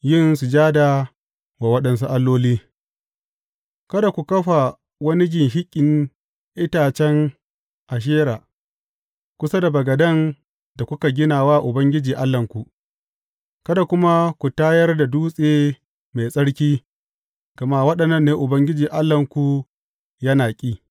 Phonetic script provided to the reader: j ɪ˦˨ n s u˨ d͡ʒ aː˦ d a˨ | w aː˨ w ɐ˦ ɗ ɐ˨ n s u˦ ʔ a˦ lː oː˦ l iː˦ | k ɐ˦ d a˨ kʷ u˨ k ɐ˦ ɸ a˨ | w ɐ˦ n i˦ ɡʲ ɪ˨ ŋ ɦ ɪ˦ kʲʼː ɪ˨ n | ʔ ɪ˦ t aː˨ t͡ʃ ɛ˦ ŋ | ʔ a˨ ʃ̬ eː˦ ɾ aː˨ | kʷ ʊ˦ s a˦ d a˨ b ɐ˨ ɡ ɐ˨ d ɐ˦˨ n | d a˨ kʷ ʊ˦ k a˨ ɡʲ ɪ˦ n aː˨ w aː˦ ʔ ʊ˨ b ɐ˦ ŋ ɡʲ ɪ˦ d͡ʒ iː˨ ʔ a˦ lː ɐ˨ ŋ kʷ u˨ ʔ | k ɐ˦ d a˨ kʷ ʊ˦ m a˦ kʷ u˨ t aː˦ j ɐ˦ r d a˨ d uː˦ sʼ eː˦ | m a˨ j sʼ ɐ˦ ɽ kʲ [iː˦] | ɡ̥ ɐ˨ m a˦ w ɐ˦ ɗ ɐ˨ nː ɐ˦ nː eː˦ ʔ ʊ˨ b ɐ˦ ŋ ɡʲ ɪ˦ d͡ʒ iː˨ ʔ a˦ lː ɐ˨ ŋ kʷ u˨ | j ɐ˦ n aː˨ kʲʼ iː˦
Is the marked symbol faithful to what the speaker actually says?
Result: yes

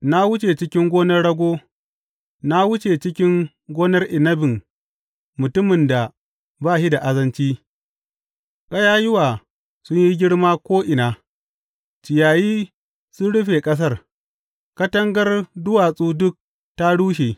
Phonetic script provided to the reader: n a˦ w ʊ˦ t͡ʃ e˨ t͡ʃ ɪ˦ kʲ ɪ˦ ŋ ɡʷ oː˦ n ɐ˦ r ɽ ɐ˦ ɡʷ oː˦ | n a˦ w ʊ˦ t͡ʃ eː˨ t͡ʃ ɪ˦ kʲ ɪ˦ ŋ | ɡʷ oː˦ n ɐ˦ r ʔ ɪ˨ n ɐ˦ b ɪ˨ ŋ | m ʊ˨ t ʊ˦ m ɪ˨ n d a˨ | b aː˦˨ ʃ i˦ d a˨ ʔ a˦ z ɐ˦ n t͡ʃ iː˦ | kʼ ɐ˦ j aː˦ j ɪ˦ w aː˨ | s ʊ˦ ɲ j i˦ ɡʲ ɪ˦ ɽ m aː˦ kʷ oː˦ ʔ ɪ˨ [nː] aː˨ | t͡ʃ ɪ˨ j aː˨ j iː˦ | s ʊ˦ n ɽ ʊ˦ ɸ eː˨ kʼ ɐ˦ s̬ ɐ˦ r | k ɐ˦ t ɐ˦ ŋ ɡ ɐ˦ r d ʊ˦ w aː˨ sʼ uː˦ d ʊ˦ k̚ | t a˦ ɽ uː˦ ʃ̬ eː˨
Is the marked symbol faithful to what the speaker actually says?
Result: no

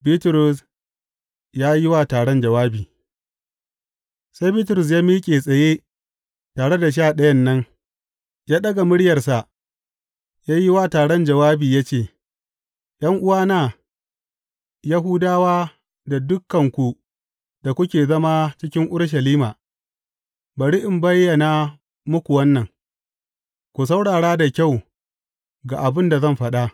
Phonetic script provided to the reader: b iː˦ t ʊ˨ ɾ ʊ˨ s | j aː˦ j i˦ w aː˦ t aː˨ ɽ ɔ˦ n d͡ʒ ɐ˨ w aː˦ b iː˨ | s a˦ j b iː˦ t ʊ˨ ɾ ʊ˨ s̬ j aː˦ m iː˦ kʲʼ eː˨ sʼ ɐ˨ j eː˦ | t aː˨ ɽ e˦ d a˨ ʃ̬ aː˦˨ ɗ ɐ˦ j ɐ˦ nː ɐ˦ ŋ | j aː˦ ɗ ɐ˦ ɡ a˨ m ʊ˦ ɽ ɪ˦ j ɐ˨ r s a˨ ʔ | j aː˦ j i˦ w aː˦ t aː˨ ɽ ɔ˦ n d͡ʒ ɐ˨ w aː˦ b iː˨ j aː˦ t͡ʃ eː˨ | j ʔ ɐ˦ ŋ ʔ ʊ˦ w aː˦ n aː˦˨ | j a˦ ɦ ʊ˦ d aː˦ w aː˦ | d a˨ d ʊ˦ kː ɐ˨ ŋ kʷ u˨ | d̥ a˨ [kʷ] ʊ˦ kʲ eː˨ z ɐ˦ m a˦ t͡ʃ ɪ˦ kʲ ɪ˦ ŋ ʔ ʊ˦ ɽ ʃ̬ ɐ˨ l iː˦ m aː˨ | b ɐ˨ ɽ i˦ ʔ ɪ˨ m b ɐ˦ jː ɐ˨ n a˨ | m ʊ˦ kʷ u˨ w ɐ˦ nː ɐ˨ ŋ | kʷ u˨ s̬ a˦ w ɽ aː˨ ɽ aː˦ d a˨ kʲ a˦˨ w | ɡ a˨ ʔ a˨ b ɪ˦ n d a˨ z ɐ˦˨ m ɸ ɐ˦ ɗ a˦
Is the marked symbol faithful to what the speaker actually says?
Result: yes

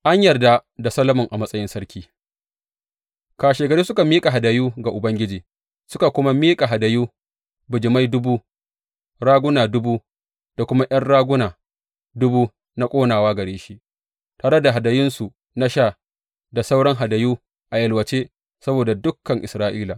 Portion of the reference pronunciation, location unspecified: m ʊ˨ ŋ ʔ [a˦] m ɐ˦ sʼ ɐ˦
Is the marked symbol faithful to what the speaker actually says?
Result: no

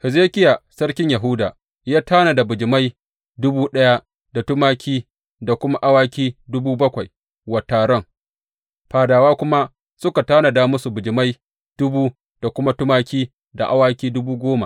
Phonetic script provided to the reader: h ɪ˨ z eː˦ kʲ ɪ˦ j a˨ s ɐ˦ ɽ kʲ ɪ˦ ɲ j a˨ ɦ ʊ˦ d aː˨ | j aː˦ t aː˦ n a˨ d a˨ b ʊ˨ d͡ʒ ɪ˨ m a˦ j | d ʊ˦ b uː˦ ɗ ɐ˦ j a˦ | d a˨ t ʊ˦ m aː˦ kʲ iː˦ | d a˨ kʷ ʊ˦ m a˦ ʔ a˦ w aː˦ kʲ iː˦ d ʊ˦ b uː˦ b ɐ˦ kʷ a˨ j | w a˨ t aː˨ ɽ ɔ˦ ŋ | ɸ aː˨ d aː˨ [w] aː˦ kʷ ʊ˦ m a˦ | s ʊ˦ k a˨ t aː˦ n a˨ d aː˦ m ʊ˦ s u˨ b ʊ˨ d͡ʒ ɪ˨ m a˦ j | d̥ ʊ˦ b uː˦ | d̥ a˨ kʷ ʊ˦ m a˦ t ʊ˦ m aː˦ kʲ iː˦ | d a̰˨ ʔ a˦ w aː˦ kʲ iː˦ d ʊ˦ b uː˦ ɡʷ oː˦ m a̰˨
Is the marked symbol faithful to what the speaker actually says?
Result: yes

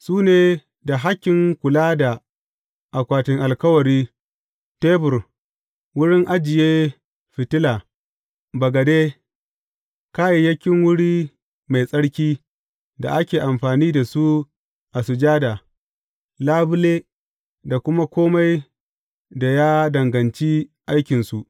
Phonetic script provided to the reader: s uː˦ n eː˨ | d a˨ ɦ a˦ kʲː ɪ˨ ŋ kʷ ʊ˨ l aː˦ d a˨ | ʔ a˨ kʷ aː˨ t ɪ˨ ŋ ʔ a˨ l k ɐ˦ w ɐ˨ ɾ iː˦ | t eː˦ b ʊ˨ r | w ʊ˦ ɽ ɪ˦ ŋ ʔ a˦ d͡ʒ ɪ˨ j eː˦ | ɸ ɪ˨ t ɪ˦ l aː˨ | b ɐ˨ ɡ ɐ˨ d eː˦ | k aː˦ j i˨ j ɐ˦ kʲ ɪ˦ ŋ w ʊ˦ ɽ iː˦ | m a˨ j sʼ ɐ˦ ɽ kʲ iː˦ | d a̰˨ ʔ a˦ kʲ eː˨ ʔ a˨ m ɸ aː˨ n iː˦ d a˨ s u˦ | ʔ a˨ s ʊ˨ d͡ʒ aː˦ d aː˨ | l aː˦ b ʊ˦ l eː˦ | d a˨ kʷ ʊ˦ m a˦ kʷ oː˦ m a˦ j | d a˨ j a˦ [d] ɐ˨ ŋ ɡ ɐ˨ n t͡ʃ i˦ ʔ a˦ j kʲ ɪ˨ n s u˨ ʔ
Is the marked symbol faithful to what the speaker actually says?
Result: yes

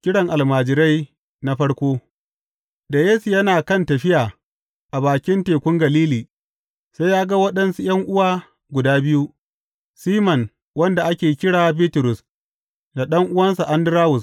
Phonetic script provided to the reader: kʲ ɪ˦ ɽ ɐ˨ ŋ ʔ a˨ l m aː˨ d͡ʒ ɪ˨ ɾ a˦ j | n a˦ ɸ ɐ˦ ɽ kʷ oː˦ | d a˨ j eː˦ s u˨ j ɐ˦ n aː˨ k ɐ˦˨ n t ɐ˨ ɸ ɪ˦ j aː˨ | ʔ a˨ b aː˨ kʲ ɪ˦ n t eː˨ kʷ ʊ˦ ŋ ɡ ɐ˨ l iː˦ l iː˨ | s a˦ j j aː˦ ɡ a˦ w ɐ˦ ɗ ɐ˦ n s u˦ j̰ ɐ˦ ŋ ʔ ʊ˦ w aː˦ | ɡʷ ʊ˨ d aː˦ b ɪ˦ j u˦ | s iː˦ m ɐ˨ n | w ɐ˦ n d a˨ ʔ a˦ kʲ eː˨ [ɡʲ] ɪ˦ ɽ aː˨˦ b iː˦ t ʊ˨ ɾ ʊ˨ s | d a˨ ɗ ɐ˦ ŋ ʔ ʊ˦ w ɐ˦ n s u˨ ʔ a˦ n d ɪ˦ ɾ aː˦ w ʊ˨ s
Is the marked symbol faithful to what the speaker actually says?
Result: no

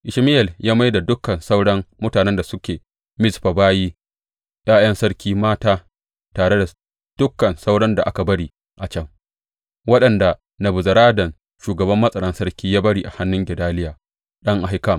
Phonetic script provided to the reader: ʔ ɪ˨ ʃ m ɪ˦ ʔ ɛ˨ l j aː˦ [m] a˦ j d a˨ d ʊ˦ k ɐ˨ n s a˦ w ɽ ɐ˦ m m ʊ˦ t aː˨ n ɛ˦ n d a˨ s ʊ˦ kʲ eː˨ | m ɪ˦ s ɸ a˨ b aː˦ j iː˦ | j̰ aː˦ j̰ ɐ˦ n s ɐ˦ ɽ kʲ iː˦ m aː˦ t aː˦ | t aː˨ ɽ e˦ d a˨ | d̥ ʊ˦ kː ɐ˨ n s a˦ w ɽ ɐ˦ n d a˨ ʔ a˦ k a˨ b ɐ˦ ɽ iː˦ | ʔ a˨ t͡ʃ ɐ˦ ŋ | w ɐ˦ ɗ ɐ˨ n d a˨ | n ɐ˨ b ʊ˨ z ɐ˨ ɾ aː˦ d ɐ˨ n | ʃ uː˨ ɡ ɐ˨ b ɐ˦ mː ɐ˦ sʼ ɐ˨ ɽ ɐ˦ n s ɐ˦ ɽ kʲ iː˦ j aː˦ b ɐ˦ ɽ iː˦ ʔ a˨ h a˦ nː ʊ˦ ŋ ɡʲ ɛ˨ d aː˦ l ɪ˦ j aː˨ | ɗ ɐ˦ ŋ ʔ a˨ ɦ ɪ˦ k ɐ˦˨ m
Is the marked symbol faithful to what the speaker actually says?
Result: yes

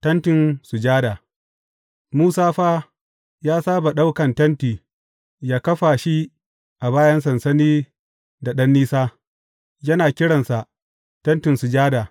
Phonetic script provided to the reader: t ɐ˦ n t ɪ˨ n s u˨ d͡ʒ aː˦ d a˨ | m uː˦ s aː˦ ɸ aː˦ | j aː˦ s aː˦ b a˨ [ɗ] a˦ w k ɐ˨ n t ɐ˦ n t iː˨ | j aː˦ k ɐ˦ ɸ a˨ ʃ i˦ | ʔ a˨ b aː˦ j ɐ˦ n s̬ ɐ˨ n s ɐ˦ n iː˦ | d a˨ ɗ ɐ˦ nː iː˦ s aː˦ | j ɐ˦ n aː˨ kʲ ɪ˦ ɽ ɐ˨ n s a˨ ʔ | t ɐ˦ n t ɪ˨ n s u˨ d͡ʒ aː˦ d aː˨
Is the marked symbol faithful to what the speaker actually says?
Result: yes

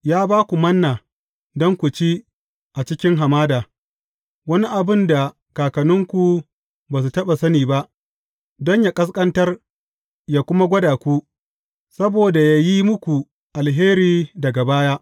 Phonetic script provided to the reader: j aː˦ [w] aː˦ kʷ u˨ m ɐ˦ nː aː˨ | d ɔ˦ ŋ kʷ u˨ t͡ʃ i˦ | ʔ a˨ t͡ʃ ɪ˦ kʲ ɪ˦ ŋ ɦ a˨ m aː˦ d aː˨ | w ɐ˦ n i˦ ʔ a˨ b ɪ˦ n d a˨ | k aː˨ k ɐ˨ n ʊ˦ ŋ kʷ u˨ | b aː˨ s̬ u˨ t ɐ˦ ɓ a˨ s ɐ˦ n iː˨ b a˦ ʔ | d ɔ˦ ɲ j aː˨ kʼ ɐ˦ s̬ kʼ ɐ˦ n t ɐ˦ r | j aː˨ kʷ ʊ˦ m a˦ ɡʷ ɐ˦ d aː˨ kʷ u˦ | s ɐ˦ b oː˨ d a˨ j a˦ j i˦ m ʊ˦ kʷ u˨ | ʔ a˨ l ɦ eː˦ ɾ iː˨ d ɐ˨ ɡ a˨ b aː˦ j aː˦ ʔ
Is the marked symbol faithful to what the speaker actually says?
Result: no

